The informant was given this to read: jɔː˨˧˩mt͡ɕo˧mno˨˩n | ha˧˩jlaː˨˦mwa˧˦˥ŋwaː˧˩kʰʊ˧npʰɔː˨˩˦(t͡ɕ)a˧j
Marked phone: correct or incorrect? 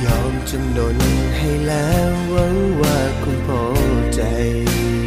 correct